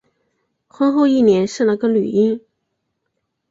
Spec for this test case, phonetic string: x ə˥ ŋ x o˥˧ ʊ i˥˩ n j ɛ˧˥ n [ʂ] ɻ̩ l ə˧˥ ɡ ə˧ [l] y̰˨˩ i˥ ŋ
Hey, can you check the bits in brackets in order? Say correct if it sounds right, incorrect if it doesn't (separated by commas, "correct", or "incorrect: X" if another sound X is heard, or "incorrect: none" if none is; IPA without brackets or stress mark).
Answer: correct, correct